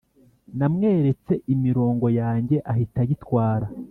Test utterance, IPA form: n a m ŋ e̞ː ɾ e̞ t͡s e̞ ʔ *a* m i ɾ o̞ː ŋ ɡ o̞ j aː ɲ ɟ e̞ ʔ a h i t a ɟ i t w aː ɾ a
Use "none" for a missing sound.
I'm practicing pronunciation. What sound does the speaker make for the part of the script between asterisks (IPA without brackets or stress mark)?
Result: i